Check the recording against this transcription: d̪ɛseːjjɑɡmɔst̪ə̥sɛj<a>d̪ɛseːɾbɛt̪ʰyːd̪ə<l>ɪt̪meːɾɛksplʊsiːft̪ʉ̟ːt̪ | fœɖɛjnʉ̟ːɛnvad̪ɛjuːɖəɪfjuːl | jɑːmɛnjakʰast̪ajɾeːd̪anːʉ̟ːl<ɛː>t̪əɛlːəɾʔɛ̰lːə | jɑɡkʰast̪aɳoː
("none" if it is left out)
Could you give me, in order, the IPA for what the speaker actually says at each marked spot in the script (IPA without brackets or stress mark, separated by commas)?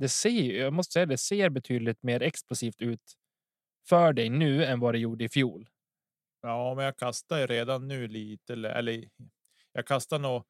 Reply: a, l, iː